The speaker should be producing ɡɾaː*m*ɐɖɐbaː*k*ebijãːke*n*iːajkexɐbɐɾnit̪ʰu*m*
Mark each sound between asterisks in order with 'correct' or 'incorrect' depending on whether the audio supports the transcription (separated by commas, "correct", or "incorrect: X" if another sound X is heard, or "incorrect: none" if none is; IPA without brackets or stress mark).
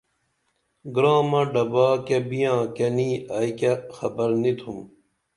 correct, correct, correct, correct